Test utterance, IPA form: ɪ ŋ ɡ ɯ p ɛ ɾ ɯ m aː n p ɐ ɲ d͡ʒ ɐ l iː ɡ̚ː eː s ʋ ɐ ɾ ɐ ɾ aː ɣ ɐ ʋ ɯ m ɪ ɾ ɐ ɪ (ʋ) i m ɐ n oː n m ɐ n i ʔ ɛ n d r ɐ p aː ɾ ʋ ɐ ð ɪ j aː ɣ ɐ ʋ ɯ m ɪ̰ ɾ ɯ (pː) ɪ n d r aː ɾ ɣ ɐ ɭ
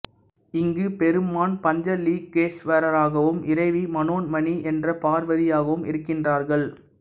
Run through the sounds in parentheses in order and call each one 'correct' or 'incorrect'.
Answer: correct, incorrect

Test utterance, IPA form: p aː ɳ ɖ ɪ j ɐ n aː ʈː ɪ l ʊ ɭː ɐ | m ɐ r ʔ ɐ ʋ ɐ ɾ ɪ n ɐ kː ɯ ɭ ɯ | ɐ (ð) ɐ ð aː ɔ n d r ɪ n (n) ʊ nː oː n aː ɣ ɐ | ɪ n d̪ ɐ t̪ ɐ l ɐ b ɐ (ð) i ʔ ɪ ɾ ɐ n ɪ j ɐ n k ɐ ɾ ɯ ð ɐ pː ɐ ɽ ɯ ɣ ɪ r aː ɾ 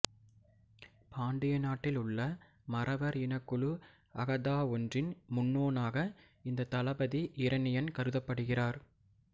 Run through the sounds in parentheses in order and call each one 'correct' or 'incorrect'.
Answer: incorrect, incorrect, correct

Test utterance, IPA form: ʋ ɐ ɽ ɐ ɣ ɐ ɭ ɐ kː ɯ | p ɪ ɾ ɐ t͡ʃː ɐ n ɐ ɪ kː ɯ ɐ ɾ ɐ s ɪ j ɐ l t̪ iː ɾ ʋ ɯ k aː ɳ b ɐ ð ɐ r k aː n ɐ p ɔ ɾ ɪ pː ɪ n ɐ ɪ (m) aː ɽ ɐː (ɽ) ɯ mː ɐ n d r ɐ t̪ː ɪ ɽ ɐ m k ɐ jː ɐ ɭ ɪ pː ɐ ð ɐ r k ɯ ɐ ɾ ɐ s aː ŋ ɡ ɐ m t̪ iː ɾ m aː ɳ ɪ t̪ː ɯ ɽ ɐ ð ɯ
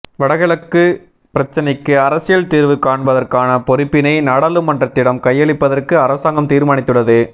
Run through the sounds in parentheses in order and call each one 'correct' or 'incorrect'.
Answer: incorrect, incorrect

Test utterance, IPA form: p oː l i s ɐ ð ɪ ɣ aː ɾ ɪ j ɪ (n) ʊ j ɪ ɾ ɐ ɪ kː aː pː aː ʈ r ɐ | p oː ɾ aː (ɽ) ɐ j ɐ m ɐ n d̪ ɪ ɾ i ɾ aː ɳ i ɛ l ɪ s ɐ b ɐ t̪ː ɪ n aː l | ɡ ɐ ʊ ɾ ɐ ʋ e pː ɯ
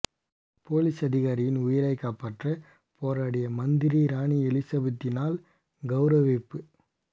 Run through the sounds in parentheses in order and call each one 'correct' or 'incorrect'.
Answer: correct, correct

